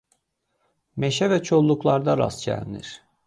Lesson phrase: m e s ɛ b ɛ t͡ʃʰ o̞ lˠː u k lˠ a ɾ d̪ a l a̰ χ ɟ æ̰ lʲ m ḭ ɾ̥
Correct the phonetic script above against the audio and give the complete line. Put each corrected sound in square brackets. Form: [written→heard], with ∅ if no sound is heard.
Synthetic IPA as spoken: m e [s→ʃ] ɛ [b→v] ɛ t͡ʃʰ o̞ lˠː u k lˠ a ɾ d̪ a [l→ɾ] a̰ [χ→s] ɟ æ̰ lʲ [m→n] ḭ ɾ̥